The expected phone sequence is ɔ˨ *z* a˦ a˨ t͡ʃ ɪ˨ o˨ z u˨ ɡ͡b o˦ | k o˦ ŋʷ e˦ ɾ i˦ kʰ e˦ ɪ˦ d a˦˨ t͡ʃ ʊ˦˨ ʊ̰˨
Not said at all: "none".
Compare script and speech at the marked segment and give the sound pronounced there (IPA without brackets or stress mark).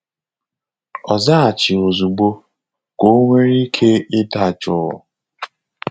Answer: z